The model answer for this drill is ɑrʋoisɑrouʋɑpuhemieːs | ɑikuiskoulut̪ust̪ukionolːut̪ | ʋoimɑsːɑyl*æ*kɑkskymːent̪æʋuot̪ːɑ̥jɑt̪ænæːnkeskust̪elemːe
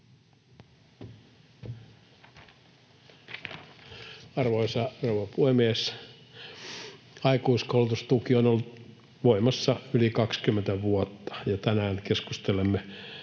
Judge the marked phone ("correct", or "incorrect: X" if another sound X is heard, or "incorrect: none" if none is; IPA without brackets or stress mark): incorrect: i